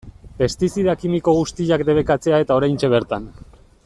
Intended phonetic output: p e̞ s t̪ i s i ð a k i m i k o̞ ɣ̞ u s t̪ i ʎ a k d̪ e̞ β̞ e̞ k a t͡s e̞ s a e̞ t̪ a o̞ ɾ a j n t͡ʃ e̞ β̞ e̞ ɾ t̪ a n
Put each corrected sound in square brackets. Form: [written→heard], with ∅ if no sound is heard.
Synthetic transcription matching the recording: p e̞ s t̪ i s i ð a k i m i k o̞ ɣ̞ u s t̪ i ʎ a k d̪ e̞ β̞ e̞ k a t͡s e̞ [s→∅] a e̞ t̪ a o̞ ɾ a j n t͡ʃ e̞ β̞ e̞ ɾ t̪ a n

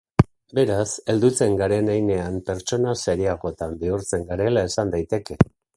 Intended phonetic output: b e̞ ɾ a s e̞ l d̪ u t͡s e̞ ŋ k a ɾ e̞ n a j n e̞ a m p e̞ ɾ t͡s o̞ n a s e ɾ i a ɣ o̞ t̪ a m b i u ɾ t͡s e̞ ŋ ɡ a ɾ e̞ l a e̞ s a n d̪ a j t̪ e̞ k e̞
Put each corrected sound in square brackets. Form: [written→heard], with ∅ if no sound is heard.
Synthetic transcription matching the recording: b e̞ ɾ a s e̞ l d̪ u t͡s e̞ ŋ [k→ɡ] a ɾ e̞ n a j n e̞ a m p e̞ ɾ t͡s o̞ n a s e ɾ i a ɣ o̞ t̪ a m b i u ɾ t͡s e̞ ŋ ɡ a ɾ e̞ l a e̞ s a n d̪ a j t̪ e̞ k e̞

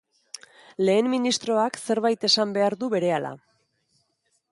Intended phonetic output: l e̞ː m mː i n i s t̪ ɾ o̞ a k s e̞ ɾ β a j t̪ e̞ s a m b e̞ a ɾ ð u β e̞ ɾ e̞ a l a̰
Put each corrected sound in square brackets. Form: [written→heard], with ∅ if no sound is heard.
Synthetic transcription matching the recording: l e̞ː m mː i n i s t̪ ɾ o̞ a k s e̞ ɾ β a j t̪ e̞ s a m b e̞ a ɾ ð u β e̞ ɾ e̞ a l a̰

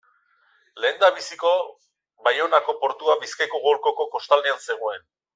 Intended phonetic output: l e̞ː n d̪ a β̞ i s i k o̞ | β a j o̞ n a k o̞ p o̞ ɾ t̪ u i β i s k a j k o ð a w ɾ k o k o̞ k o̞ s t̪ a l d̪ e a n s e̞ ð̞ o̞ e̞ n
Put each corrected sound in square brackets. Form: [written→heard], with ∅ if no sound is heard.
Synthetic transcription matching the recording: l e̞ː n d̪ a β̞ i s i k o̞ | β a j o̞ n a k o̞ p o̞ ɾ t̪ u [i→a] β i s k a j k o [ð→ɣ] a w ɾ k o k o̞ k o̞ s t̪ a l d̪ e a n s e̞ [ð̞→ɣ̞] o̞ e̞ n

